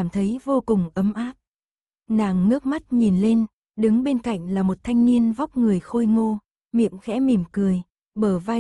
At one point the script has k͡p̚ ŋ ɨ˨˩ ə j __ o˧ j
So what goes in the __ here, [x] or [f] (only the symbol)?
x